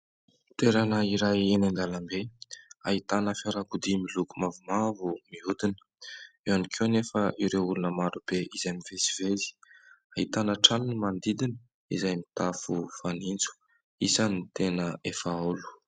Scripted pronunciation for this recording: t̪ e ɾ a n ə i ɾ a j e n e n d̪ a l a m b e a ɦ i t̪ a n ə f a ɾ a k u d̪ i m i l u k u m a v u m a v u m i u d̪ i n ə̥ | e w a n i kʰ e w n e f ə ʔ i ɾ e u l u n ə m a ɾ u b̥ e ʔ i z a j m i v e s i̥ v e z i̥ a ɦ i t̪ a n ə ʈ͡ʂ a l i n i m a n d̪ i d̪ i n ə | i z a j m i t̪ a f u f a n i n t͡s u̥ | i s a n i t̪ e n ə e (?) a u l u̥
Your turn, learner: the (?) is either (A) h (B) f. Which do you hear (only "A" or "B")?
B